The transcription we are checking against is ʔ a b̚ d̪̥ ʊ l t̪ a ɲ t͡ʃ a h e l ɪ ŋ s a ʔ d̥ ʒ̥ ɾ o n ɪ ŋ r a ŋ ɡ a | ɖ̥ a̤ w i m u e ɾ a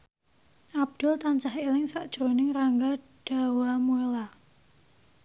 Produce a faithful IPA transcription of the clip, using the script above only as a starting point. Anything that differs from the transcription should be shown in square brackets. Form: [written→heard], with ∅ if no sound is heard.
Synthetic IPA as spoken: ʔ a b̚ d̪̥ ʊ l t̪ a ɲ t͡ʃ a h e l ɪ ŋ s a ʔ d̥ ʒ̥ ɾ o n ɪ ŋ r a ŋ ɡ a | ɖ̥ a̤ w [i→a] m u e [ɾ→l] a